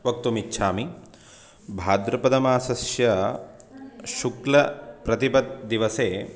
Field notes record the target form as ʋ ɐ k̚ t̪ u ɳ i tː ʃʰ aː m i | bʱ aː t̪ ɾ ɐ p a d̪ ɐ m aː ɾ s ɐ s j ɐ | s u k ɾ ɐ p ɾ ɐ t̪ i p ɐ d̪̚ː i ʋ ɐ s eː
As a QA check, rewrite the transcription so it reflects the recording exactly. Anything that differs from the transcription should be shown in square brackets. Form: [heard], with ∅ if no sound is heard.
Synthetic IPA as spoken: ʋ ɐ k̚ t̪ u [m] i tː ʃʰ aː m i | bʱ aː [d̪] ɾ ɐ p [ɐ] d̪ ɐ m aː [∅] s ɐ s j ɐ | [ʃ] u k [l] ɐ p ɾ ɐ t̪ i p ɐ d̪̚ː i ʋ ɐ s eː

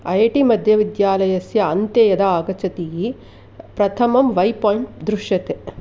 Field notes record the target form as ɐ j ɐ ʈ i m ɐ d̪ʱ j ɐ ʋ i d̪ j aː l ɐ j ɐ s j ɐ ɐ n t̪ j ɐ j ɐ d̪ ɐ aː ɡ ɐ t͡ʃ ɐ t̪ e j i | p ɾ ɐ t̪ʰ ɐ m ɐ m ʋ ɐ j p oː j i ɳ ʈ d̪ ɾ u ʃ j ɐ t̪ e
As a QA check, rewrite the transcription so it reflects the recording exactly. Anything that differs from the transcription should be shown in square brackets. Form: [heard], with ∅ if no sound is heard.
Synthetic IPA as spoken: ɐ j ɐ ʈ i m ɐ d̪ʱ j ɐ ʋ i d̪ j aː l ɐ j ɐ s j ɐ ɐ n t̪ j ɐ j ɐ d̪ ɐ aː ɡ ɐ t͡ʃ ɐ t̪ [i] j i | p ɾ ɐ t̪ʰ ɐ m ɐ m ʋ ɐ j p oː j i ɳ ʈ d̪ ɾ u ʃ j ɐ t̪ e

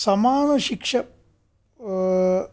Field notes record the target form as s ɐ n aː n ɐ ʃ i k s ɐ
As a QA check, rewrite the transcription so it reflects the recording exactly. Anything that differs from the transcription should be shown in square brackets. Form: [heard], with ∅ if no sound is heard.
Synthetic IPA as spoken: s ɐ [m] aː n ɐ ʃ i k [ʂ] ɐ

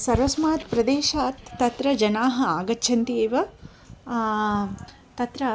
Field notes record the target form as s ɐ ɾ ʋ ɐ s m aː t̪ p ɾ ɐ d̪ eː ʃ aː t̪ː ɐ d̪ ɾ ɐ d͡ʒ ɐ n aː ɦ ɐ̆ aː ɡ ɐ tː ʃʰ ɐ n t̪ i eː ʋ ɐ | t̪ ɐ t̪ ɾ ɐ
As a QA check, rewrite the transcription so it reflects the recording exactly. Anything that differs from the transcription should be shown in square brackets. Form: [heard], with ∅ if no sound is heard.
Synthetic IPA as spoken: s ɐ ɾ ʋ ɐ s m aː t̪ p ɾ ɐ d̪ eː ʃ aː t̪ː ɐ [t̪] ɾ ɐ d͡ʒ ɐ n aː ɦ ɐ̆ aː ɡ ɐ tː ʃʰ ɐ n t̪ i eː ʋ ɐ | t̪ ɐ t̪ ɾ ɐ

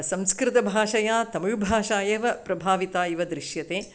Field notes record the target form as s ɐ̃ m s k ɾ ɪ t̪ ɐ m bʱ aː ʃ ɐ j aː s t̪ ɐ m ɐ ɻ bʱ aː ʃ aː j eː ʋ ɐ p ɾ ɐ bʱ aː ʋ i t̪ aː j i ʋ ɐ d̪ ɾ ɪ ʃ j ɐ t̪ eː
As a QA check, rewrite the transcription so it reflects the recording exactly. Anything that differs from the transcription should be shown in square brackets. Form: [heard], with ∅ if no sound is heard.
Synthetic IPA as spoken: s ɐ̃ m s k ɾ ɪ t̪ ɐ [∅] bʱ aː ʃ ɐ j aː [∅] t̪ ɐ m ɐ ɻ bʱ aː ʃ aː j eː ʋ ɐ p ɾ ɐ bʱ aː ʋ i t̪ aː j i ʋ ɐ d̪ ɾ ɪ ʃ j ɐ t̪ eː

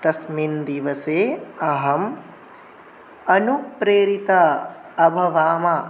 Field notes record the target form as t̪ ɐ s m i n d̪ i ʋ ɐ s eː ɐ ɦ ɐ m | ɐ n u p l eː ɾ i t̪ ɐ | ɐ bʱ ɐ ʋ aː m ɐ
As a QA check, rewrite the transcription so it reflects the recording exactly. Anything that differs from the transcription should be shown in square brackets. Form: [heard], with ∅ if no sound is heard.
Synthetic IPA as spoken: t̪ ɐ s m i n d̪ i ʋ ɐ s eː ɐ ɦ ɐ m | ɐ n u p [ɾ] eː ɾ i t̪ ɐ | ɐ bʱ ɐ ʋ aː m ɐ

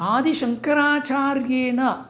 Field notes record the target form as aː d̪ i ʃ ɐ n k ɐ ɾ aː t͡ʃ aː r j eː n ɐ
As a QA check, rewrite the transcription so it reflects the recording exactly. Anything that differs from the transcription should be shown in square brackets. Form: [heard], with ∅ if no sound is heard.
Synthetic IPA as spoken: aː d̪ i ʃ ɐ [ŋ] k ɐ ɾ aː t͡ʃ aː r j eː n ɐ

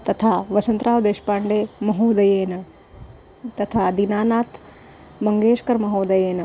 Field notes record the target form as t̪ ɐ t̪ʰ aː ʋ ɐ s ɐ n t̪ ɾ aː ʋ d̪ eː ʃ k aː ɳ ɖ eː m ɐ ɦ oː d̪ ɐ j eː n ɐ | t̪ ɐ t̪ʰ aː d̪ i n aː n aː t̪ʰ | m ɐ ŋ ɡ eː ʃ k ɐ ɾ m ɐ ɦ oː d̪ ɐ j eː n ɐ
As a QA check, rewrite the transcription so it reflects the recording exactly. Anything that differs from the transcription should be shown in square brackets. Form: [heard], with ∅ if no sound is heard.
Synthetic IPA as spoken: t̪ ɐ t̪ʰ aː ʋ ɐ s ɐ n t̪ ɾ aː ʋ d̪ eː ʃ [p] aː ɳ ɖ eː m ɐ ɦ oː d̪ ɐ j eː n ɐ | t̪ ɐ t̪ʰ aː d̪ i n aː n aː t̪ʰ | m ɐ ŋ ɡ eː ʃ k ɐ ɾ m ɐ ɦ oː d̪ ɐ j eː n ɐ

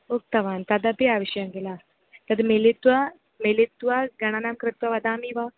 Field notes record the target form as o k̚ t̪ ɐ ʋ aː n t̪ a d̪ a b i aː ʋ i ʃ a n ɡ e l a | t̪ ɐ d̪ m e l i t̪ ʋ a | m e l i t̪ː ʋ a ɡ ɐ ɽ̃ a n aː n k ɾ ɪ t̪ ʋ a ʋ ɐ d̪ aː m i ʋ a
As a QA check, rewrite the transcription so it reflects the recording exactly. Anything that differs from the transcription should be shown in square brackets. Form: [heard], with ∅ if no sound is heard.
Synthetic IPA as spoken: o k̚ t̪ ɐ ʋ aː n t̪ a d̪ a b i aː ʋ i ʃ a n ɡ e l a | t̪ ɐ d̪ m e l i t̪ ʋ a | m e l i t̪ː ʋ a ɡ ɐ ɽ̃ a n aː [m] k ɾ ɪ t̪ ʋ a ʋ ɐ d̪ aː m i ʋ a

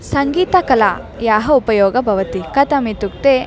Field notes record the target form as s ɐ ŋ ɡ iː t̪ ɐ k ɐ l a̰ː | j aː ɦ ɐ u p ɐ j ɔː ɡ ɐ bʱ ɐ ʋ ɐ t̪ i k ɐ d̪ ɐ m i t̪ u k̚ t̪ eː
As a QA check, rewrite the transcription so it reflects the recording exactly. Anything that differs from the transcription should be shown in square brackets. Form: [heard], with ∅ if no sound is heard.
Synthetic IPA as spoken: s ɐ ŋ ɡ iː t̪ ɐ k ɐ l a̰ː | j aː ɦ ɐ u p ɐ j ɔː ɡ ɐ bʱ ɐ ʋ ɐ t̪ i k ɐ [t̪] ɐ m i t̪ u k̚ t̪ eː

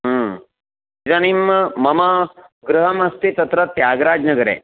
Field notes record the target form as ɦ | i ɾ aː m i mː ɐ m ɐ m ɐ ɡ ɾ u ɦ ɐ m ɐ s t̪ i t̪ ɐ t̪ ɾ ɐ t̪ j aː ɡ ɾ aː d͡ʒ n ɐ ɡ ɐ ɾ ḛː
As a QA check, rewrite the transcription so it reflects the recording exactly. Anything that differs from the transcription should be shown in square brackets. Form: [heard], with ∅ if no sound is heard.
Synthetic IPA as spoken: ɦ | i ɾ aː [n] i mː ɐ m ɐ m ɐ ɡ ɾ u ɦ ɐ m ɐ s t̪ i t̪ ɐ t̪ ɾ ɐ t̪ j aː ɡ ɾ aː d͡ʒ n ɐ ɡ ɐ ɾ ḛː

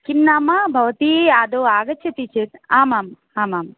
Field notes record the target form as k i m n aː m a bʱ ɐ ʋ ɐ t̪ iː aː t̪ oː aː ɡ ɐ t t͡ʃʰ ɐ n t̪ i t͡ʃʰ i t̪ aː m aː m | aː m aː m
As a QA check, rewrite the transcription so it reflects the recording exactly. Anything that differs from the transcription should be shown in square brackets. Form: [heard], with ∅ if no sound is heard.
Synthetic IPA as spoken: k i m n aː m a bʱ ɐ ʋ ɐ t̪ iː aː [d̪] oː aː ɡ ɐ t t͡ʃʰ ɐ [∅] t̪ i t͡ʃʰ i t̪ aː m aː m | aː m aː m

